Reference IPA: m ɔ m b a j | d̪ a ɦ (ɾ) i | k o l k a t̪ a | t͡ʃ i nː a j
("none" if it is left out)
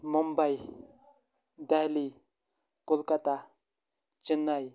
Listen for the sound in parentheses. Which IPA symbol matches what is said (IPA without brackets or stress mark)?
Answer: l